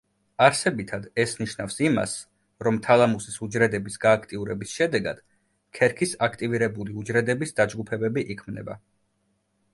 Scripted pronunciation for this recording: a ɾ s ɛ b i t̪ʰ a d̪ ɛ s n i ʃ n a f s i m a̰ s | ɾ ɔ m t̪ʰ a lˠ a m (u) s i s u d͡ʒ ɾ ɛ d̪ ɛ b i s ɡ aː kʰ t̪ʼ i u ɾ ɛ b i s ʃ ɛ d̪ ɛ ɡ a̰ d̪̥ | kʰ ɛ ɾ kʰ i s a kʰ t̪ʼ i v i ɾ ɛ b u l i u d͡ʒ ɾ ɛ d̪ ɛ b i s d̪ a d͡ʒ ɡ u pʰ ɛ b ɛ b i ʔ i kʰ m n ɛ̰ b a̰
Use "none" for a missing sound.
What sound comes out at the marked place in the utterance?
u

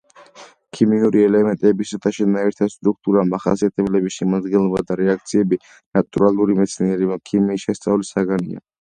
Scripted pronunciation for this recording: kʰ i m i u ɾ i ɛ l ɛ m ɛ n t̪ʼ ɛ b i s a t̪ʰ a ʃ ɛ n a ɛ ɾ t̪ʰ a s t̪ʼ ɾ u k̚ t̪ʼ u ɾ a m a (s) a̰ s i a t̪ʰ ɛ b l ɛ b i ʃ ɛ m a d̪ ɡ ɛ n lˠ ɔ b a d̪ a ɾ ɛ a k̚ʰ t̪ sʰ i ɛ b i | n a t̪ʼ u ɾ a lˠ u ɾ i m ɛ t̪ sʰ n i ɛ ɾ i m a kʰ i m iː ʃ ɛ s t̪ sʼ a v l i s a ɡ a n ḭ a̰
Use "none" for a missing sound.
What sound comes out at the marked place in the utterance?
χ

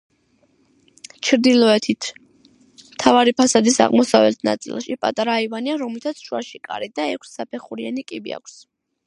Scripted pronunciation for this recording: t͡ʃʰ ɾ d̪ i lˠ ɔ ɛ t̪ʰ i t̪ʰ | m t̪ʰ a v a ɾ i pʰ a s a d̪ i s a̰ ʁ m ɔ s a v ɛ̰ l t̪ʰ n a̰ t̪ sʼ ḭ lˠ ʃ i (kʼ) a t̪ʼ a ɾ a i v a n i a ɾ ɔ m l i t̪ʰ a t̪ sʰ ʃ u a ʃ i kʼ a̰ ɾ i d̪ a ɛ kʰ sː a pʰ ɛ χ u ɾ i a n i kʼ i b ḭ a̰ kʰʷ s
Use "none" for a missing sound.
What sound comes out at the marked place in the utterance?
pʼ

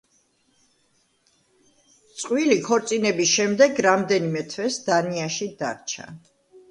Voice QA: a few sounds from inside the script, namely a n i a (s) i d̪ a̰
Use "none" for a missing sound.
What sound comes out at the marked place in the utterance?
ʃ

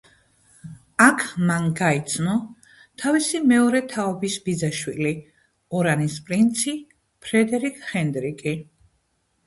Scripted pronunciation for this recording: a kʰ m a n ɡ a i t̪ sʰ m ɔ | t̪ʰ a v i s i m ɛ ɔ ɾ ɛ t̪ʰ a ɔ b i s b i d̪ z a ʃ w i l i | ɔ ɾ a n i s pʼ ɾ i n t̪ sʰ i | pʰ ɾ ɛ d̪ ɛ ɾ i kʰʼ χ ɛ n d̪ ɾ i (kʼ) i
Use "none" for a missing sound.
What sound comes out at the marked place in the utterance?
kʼ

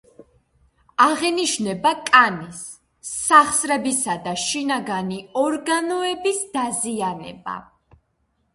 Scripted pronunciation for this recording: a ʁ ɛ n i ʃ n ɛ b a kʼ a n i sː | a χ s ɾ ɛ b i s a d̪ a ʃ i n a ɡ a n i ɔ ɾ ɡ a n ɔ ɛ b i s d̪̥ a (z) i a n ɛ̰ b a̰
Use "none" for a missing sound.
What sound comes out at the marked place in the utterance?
z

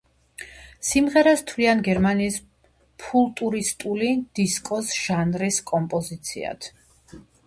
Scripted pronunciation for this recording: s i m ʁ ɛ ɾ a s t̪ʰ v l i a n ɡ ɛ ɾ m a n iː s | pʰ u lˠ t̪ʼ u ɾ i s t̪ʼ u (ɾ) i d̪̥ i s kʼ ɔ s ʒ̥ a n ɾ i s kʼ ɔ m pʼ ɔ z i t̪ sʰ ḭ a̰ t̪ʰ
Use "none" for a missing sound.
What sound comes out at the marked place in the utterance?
l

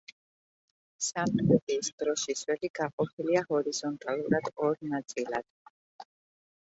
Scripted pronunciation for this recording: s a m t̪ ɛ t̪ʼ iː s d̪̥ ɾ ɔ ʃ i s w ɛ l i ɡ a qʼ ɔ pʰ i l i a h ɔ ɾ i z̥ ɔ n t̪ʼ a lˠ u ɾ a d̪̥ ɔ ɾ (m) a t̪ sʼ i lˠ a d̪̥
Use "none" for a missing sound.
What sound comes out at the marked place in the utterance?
n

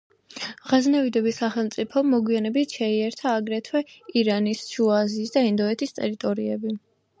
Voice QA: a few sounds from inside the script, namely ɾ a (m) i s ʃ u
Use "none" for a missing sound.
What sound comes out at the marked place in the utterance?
n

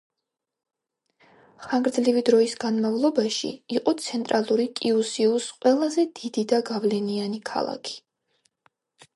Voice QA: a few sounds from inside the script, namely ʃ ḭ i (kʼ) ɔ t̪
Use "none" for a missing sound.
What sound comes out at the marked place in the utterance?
qʼ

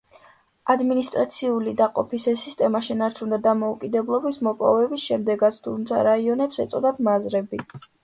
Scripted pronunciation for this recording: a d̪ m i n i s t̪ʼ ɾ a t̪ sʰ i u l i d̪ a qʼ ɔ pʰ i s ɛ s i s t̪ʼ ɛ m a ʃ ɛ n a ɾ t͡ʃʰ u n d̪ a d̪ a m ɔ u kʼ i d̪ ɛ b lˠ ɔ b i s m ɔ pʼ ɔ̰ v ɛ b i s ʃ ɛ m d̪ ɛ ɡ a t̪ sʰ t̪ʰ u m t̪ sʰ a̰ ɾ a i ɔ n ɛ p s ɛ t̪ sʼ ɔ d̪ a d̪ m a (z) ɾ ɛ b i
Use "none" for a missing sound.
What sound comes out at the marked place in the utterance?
z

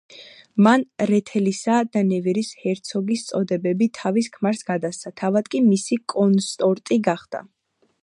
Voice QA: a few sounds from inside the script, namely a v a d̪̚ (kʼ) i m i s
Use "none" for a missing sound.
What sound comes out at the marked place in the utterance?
kʼ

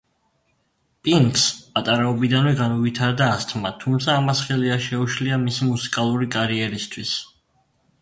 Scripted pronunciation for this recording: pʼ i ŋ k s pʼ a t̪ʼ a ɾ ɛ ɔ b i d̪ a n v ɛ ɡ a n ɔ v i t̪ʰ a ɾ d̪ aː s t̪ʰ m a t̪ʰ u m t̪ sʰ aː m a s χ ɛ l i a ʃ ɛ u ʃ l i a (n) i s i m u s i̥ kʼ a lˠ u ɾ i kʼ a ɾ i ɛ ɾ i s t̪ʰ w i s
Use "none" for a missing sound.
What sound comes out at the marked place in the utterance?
m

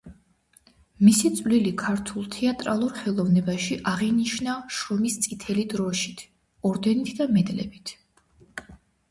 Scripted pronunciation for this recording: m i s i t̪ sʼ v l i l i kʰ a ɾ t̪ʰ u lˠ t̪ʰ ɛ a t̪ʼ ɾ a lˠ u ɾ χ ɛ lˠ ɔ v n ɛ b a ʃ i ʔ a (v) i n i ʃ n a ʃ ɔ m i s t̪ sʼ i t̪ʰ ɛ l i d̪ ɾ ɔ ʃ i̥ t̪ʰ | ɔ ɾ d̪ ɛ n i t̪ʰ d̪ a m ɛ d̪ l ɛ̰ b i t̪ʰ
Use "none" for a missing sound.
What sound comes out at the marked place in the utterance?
ʁ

